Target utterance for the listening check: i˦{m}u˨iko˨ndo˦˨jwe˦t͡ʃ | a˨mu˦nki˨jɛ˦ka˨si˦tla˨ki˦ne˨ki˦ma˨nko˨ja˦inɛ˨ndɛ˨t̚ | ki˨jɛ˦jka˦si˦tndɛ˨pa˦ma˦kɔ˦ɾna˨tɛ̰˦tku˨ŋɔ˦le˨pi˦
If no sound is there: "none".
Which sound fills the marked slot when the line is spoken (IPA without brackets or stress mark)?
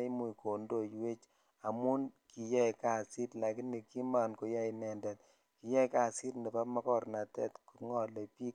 m